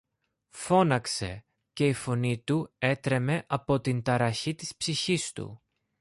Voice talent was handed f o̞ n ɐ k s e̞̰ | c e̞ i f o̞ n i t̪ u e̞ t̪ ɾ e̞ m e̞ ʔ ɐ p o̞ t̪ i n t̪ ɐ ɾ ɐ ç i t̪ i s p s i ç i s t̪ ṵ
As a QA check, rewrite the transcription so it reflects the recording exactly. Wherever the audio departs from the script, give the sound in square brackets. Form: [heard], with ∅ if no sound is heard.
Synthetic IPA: f o̞ n ɐ k s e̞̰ | c e̞ i f o̞ n i t̪ u e̞ t̪ ɾ e̞ m e̞ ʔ ɐ p o̞ t̪ i n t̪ ɐ ɾ ɐ ç i t̪ i s p s i ç i s t̪ ṵ

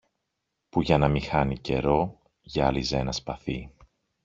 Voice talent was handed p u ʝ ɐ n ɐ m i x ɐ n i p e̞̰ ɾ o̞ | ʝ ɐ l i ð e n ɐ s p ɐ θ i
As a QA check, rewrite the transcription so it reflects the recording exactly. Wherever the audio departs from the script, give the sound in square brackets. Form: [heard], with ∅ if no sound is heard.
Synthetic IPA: p u ʝ ɐ n ɐ m i x ɐ n i [c] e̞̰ ɾ o̞ | ʝ ɐ l i [z] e n ɐ s p ɐ θ i

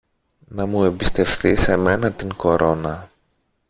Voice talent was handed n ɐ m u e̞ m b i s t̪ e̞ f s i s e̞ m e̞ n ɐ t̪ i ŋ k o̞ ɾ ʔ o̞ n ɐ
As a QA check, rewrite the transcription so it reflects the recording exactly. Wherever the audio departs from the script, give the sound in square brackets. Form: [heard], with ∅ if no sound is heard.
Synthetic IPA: n ɐ m u e̞ m b i s t̪ e̞ f [θ] i s e̞ m e̞ n ɐ t̪ i ŋ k o̞ ɾ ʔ o̞ n ɐ

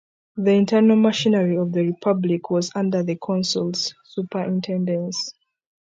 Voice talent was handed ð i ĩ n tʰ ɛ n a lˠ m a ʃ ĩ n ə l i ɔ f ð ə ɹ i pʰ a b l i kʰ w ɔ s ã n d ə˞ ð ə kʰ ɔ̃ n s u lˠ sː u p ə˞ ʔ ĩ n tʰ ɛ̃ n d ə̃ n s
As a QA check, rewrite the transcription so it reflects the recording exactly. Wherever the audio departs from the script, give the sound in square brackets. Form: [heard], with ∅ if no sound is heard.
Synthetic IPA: ð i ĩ n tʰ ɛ n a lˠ m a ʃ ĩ n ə [ɹ] i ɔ [v] ð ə ɹ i pʰ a b l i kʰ w ɔ [z] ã n d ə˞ ð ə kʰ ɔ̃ n s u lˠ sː u p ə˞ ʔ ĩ n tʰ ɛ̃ n d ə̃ n s

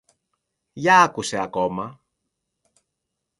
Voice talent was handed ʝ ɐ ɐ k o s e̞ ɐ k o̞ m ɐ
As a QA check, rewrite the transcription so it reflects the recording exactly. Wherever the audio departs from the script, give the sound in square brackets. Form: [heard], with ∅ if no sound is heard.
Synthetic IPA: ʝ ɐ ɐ k [u] s e̞ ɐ k o̞ m ɐ

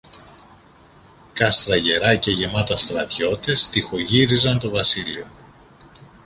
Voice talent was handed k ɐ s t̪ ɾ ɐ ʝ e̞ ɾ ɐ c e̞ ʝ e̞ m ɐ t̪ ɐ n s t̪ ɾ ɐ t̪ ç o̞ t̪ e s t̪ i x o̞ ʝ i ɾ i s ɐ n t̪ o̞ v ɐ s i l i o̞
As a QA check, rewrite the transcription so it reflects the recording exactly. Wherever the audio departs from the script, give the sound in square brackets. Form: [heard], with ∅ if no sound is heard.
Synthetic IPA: k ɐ s t̪ ɾ ɐ ʝ e̞ ɾ ɐ c e̞ ʝ e̞ m ɐ t̪ ɐ [∅] s t̪ ɾ ɐ t̪ ç o̞ t̪ e s t̪ i x o̞ ʝ i ɾ i [z] ɐ n t̪ o̞ v ɐ s i l i o̞

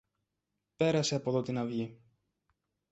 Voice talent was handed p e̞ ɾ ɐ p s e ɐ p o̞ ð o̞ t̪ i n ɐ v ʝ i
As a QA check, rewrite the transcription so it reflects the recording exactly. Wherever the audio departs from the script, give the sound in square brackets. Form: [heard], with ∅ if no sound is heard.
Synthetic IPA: p e̞ ɾ ɐ [∅] s e ɐ p o̞ ð o̞ t̪ i n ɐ v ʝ i

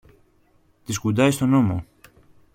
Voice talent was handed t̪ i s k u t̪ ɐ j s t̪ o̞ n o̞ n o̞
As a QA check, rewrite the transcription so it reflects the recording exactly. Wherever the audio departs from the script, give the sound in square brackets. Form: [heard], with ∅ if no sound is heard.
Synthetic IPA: t̪ i s k u [d̪] ɐ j s t̪ o̞ n o̞ [m] o̞

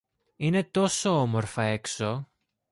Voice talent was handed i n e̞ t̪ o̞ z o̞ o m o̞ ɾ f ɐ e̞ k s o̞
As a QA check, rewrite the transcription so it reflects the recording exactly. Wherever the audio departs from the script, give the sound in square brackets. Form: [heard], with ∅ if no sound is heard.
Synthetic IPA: i n e̞ t̪ o̞ [s] o̞ o m o̞ ɾ f ɐ e̞ k s o̞

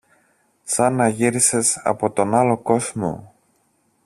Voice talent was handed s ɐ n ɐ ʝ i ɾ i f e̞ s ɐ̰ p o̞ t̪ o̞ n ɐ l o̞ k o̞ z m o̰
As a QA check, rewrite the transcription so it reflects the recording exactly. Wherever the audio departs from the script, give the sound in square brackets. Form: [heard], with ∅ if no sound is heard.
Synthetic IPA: s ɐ n ɐ ʝ i ɾ i [s] e̞ s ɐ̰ p o̞ t̪ o̞ n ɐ l o̞ k o̞ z m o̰

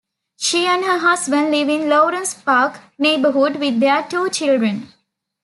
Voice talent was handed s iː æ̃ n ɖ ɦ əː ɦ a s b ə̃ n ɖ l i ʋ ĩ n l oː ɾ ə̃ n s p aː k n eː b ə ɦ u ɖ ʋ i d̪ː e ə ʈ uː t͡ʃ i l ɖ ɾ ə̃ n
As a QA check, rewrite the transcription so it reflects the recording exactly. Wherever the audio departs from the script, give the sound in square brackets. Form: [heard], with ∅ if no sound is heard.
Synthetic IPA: [ʃ] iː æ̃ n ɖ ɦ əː ɦ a s b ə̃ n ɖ l i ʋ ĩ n l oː ɾ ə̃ n s p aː k n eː b ə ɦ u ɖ ʋ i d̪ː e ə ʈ uː t͡ʃ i l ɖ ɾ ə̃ n

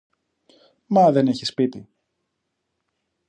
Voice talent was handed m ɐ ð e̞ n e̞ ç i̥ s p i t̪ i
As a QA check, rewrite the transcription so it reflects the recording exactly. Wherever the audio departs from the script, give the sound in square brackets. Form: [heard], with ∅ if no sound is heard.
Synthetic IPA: m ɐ ð e̞ n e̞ ç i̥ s p i t̪ i

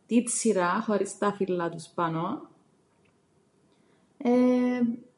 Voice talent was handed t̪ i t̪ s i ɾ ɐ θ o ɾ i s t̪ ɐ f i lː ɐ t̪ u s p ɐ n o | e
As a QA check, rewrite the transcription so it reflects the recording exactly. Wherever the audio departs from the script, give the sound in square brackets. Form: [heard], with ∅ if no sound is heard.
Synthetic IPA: t̪ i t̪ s i ɾ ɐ [x] o ɾ i s t̪ ɐ f i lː ɐ t̪ u s p ɐ n o | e

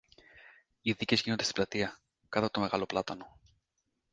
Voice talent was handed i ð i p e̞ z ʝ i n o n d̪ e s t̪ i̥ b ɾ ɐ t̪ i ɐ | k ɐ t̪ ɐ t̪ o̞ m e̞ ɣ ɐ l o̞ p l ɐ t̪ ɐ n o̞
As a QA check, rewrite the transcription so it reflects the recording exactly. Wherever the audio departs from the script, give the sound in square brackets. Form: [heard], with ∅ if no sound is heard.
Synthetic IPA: i ð i [c] e̞ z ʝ i n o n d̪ e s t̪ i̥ b [l] ɐ t̪ i ɐ | k ɐ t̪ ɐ t̪ o̞ m e̞ ɣ ɐ l o̞ p l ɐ t̪ ɐ n o̞

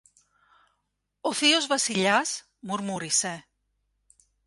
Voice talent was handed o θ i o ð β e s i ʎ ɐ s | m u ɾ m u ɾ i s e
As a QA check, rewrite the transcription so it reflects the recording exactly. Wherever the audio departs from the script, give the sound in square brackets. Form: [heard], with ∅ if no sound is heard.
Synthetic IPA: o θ i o [z] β [a] s i ʎ [a] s | m u ɾ m u ɾ i s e

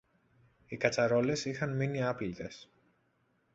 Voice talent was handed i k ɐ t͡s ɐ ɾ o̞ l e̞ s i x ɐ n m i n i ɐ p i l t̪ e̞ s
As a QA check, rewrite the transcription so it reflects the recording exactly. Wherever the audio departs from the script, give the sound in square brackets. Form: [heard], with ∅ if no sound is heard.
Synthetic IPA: i k ɐ t͡s ɐ ɾ o̞ l e̞ s i x ɐ n m i n i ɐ p i l t̪ e̞ s

